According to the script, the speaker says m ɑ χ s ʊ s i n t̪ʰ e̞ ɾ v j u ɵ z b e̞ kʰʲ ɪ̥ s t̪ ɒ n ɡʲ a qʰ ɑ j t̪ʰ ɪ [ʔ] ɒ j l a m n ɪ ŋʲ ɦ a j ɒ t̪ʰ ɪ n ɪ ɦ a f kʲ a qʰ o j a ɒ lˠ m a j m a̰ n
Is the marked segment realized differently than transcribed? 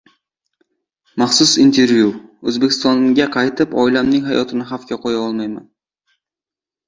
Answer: yes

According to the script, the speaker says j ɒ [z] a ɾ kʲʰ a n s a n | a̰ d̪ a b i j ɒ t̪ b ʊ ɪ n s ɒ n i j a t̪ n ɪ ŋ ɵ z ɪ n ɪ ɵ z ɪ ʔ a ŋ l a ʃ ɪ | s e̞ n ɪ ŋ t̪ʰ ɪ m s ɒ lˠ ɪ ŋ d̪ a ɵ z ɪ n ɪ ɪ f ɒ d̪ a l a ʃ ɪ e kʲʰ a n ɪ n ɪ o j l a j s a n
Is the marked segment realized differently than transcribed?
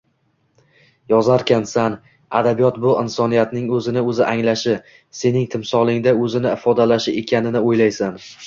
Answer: no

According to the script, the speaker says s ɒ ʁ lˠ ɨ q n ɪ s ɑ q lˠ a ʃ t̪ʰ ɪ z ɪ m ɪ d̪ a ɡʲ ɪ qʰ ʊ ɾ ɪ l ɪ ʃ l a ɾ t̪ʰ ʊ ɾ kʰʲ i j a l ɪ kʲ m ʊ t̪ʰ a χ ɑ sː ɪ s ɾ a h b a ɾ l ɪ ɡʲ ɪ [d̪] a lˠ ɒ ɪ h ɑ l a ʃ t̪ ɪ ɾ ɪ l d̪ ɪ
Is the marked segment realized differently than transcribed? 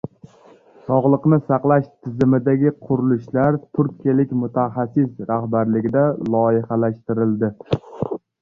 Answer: no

